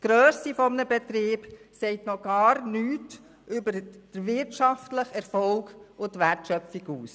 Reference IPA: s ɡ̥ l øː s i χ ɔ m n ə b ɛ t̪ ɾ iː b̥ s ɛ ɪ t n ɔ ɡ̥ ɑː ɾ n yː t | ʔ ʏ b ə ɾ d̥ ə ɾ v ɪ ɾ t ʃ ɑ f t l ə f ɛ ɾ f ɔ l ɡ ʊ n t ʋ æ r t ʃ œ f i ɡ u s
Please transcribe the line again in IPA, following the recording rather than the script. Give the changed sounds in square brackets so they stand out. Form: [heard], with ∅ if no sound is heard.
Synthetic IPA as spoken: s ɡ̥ [ɾ] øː s i [f] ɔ m n ə b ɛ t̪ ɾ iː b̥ s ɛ ɪ t n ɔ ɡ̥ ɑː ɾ n yː t | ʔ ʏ b ə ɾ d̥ ə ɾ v ɪ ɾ t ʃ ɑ f t l ə [χ] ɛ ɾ f ɔ l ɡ ʊ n t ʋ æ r t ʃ œ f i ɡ [uː] s